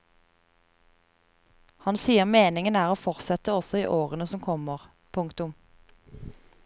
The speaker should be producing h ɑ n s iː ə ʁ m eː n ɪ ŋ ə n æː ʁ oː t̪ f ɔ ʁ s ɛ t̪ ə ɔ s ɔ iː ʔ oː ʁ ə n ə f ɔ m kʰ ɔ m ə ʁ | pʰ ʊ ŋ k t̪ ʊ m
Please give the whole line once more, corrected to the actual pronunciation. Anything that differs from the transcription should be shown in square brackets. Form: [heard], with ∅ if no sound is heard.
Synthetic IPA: h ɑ n s iː ə ʁ m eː n ɪ ŋ ə n æː ʁ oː [∅] f ɔ ʁ s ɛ t̪ ə ɔ s ɔ iː ʔ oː ʁ ə n ə [s] ɔ m kʰ ɔ m ə ʁ | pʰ ʊ ŋ k t̪ ʊ m